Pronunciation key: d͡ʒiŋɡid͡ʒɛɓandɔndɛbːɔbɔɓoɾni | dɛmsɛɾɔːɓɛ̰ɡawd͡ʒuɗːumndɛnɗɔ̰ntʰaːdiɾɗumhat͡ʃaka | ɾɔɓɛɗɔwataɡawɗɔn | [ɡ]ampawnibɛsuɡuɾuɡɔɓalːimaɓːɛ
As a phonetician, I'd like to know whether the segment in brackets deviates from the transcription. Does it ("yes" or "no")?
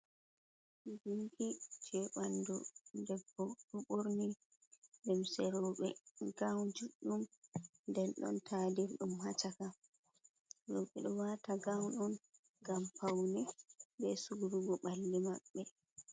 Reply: no